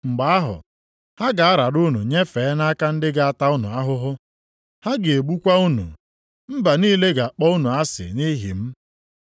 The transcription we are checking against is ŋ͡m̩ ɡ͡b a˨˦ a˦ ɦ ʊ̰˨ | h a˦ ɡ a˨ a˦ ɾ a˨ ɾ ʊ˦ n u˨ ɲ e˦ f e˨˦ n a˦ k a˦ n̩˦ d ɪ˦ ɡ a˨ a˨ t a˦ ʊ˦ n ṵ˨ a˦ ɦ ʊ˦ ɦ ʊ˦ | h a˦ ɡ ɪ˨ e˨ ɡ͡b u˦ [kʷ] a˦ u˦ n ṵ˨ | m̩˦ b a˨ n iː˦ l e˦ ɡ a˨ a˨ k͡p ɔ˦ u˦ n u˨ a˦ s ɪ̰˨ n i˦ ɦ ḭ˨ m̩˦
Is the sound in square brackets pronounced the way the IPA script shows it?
yes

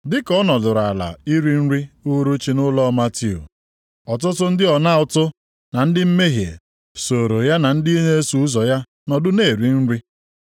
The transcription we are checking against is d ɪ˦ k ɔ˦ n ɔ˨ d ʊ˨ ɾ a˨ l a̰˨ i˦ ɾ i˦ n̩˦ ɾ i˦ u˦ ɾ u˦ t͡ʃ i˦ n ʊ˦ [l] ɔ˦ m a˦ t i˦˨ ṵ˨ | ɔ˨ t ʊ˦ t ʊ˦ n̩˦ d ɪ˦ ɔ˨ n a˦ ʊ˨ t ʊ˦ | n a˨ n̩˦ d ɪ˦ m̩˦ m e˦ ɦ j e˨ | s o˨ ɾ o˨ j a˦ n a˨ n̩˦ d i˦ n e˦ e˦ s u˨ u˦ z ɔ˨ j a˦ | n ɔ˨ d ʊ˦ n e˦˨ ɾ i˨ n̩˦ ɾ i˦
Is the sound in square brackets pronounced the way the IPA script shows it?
yes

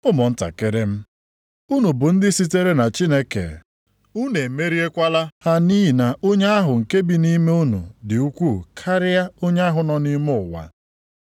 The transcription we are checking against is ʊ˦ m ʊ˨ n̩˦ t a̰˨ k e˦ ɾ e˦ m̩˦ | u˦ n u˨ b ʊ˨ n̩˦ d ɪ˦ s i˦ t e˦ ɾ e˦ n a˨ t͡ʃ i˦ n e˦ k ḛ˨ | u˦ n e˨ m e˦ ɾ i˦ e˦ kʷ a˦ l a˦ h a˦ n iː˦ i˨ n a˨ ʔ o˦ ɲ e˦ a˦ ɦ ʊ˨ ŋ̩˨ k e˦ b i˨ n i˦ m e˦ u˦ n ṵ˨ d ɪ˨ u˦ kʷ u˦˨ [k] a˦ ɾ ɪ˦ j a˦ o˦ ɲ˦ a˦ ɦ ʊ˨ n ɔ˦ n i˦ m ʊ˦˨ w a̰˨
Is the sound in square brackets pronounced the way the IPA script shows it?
no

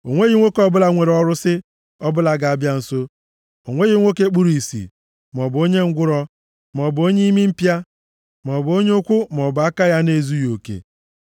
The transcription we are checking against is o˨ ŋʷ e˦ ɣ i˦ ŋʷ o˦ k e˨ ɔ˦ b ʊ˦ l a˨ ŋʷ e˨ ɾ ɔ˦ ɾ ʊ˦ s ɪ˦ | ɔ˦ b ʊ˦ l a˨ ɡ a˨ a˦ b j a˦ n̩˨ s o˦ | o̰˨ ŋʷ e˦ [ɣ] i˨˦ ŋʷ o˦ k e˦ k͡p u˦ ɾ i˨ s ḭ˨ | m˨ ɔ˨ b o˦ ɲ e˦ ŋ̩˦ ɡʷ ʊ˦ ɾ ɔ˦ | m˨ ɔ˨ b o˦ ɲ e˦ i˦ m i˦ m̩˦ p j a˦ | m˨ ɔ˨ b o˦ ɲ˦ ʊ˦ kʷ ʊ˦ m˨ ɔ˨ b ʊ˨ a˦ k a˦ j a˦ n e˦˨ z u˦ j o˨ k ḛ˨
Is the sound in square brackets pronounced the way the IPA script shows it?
yes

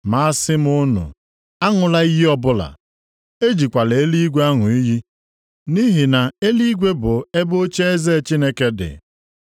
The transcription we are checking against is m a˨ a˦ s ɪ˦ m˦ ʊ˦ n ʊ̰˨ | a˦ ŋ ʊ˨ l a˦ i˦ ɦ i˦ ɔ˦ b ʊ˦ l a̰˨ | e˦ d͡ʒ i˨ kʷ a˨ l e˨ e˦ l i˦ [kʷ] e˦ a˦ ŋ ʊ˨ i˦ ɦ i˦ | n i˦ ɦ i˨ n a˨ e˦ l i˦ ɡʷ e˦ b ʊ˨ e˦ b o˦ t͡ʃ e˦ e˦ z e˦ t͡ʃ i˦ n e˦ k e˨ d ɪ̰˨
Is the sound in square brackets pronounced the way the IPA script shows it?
no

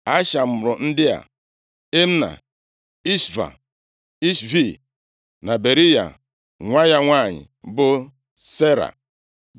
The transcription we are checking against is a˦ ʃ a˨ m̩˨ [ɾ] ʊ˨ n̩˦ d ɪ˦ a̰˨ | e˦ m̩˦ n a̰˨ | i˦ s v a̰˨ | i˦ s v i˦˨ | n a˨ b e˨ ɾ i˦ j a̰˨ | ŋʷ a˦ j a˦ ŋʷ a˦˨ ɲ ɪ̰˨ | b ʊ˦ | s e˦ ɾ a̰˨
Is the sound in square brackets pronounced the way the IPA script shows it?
yes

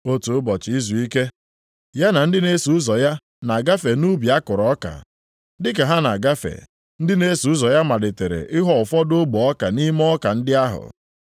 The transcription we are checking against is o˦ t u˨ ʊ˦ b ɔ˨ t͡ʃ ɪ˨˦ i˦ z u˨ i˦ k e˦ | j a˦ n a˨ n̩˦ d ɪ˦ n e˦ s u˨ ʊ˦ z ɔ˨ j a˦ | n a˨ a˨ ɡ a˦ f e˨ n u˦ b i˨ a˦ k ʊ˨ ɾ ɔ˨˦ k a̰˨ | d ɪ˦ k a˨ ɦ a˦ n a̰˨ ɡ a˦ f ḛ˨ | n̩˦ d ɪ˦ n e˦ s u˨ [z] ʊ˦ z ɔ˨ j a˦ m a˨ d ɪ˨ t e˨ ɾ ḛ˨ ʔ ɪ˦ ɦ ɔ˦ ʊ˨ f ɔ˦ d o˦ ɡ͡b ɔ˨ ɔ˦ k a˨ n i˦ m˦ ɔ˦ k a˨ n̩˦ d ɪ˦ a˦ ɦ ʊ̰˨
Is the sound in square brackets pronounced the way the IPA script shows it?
no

